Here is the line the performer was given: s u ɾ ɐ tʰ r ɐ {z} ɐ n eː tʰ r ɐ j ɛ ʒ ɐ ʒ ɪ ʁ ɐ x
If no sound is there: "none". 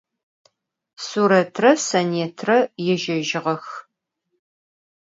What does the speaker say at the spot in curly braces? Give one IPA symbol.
s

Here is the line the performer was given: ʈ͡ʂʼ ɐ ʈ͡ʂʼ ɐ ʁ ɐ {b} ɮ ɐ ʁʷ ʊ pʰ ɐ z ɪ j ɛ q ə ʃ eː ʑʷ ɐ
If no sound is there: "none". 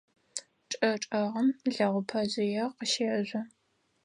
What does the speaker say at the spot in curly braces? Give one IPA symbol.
m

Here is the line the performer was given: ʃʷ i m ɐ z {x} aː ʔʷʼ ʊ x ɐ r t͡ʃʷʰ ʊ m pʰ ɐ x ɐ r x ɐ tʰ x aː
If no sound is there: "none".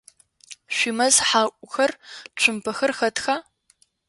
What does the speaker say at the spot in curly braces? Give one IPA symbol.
ħ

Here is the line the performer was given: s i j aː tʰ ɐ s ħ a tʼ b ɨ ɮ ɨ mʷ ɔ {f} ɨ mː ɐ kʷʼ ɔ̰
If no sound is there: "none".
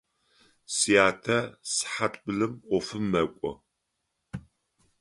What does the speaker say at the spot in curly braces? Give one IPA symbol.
f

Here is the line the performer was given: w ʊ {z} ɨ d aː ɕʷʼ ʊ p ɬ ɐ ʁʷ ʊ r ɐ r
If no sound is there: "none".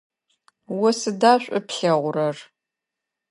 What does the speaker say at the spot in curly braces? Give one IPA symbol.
s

